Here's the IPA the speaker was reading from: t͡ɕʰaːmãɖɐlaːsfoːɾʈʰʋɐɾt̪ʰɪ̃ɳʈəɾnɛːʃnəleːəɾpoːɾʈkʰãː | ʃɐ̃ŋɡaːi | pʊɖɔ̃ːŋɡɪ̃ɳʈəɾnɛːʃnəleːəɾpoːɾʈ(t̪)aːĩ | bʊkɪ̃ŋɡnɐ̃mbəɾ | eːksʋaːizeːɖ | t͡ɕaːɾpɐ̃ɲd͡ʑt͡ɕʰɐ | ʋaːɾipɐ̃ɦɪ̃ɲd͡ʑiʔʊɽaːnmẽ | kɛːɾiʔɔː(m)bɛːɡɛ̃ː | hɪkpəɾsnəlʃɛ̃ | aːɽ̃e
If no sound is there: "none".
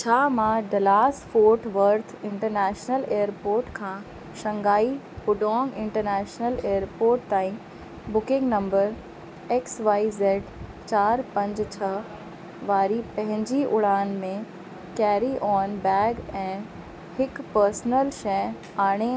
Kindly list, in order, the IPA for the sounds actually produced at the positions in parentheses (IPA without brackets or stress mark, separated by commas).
t̪, n